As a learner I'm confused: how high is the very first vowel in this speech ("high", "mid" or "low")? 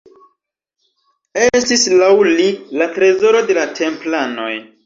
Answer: mid